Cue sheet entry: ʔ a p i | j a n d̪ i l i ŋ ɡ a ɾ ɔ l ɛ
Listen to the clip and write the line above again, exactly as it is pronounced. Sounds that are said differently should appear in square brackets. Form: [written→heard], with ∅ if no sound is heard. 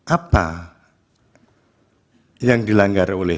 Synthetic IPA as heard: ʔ a p [i→a] | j a [n→ŋ] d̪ i l [i→a] ŋ ɡ a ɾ [ɔ→o] l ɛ